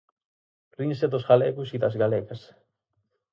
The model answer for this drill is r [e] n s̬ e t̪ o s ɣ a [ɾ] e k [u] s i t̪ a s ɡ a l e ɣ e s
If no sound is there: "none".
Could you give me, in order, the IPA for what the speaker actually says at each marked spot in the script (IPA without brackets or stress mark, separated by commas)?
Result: i, l, u